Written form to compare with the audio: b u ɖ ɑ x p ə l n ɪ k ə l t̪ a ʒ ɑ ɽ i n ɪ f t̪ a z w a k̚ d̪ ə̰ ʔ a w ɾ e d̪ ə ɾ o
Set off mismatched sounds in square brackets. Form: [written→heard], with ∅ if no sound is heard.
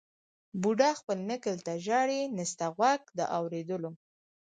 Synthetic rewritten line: b u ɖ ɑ x p ə l n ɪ k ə l t̪ a ʒ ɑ ɽ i n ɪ [f→s] t̪ a [z→ɣ] w a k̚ d̪ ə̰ ʔ a w ɾ e d̪ ə [ɾ→l] o